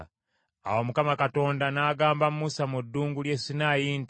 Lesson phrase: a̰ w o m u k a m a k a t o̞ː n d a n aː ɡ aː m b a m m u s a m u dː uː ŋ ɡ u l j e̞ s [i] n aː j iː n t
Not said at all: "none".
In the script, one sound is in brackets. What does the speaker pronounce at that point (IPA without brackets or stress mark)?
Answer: i